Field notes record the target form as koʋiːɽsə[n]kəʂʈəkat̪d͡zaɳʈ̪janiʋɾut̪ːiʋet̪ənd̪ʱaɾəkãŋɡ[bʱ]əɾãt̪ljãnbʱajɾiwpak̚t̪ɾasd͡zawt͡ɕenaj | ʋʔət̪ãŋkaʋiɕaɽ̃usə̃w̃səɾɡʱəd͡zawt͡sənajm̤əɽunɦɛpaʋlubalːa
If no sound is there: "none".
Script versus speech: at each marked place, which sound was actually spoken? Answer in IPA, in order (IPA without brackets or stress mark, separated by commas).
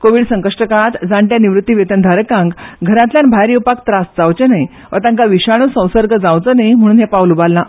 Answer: ŋ, ɡʱ